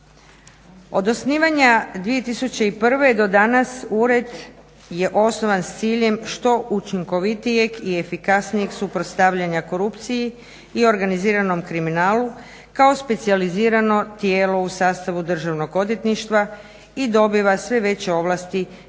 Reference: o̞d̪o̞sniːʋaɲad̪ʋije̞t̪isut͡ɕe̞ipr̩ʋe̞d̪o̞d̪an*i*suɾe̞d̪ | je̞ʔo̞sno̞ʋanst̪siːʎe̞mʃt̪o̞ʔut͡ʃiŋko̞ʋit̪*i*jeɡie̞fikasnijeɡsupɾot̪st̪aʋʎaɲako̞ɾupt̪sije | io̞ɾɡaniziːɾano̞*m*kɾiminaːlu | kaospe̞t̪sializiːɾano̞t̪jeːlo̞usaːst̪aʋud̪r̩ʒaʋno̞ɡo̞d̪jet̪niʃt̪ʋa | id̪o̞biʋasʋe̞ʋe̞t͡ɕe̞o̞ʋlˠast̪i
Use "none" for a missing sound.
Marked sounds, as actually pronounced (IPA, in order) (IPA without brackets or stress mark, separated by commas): a, i, m